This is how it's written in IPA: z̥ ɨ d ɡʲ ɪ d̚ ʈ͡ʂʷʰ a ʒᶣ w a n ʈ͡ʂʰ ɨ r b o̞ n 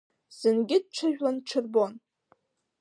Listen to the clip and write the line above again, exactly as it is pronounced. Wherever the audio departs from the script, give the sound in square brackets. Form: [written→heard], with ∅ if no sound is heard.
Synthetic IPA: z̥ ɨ [d→n] ɡʲ ɪ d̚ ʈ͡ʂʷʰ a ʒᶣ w a n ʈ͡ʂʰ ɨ r b o̞ n